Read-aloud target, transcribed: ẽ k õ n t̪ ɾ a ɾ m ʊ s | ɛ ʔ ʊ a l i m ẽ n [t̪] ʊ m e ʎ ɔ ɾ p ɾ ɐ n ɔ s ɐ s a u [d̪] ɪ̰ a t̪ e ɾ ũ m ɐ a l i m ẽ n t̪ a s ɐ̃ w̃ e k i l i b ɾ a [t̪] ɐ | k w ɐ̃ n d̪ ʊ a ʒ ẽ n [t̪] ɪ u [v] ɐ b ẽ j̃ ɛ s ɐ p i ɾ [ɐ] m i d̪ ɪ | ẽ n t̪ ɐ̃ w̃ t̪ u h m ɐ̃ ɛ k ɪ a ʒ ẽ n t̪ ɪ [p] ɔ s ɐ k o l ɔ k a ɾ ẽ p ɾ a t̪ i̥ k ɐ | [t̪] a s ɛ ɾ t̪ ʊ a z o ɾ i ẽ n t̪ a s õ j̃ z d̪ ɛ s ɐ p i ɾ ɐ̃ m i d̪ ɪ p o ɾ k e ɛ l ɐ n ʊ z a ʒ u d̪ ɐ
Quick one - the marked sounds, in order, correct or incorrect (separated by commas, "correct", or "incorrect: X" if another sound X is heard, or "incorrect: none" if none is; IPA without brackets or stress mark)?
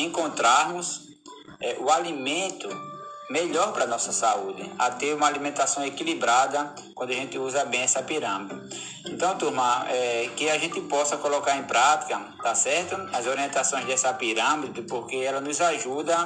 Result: correct, correct, incorrect: d̪, correct, incorrect: z, incorrect: ɐ̃, correct, correct